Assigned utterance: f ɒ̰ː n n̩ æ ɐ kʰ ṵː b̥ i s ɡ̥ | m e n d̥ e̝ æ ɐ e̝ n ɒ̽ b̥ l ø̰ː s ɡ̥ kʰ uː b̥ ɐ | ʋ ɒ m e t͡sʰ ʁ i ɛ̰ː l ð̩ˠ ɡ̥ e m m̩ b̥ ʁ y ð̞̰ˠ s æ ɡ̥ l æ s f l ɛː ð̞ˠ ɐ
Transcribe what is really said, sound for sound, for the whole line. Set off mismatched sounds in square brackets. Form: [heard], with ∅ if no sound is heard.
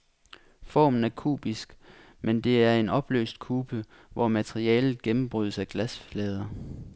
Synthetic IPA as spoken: f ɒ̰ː [m] n̩ æ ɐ kʰ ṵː b̥ i s ɡ̥ | m e n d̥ e̝ æ ɐ e̝ n ɒ̽ b̥ l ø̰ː s [d̥] kʰ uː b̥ [ə] | ʋ ɒ m [æ] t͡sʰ ʁ i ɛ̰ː l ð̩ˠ ɡ̥ e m m̩ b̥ ʁ y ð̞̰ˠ s æ ɡ̥ l æ s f l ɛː ð̞ˠ ɐ